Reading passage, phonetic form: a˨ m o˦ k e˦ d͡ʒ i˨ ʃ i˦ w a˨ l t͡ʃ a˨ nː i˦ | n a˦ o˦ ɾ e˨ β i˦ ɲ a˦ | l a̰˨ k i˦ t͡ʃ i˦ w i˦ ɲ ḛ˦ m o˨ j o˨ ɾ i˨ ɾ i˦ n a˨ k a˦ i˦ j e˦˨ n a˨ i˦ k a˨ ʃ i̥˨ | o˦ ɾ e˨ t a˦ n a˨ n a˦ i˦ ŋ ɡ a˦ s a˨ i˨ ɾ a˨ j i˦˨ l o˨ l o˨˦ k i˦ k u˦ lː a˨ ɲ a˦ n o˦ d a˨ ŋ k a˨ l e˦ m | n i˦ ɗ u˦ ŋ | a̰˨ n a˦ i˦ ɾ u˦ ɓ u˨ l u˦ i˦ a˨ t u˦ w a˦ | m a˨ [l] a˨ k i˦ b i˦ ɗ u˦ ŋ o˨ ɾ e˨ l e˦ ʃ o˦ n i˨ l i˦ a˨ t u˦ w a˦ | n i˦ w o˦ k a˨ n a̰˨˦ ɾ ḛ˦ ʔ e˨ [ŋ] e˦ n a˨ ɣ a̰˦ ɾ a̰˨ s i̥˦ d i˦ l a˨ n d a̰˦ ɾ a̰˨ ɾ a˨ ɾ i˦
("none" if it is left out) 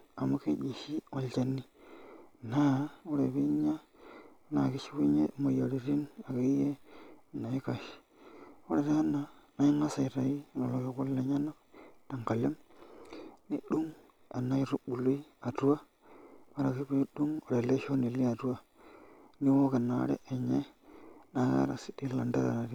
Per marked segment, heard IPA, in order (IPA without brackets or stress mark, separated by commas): ɾ, ɲ